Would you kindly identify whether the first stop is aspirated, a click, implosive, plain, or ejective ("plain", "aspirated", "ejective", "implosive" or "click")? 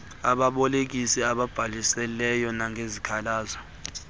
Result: implosive